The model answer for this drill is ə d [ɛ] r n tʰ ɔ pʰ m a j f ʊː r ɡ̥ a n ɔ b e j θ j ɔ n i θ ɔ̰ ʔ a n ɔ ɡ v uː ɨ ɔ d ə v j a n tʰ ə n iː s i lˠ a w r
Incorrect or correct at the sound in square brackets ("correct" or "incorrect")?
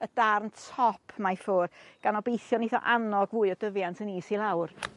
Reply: incorrect